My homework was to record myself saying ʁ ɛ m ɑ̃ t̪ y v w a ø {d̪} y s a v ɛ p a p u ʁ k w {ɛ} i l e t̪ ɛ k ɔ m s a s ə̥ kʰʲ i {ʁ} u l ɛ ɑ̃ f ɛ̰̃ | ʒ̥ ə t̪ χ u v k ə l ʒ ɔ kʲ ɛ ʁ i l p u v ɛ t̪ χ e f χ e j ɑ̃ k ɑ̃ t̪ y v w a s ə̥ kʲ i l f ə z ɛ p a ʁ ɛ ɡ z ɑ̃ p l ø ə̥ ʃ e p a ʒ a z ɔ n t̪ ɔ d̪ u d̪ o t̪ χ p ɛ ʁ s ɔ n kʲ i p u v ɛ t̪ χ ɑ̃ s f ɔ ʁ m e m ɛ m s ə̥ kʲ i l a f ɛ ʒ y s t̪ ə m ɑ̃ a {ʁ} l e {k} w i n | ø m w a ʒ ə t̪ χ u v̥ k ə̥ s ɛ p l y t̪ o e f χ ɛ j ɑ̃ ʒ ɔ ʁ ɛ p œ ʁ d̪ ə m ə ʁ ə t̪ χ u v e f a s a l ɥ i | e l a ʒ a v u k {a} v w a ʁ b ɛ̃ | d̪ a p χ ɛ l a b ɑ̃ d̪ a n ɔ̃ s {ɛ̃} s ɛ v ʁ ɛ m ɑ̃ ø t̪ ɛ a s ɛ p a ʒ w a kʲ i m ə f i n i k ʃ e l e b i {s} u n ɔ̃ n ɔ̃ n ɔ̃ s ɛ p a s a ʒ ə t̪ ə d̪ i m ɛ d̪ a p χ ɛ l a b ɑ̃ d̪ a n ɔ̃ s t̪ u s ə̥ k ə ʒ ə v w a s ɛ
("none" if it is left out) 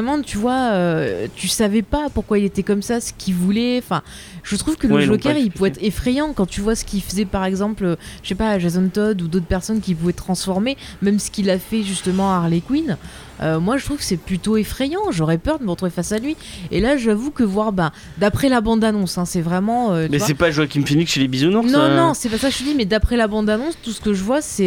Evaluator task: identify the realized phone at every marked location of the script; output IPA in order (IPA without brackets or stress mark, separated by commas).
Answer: t̪, a, v, ʁ, k, ə, ɛ̃, z